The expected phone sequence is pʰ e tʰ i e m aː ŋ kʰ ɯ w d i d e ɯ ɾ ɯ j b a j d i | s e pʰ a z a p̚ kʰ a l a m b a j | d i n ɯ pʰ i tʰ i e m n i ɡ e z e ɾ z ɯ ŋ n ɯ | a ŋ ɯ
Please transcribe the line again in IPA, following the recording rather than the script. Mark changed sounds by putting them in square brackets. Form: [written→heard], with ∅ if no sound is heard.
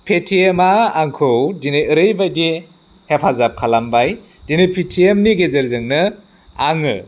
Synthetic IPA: pʰ e tʰ i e m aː ŋ kʰ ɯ w d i [d→n] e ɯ ɾ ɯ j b a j d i | [s→h] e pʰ a z a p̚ kʰ a l a m b a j | d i n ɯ pʰ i tʰ i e m n i ɡ e z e ɾ z ɯ ŋ n ɯ | a ŋ ɯ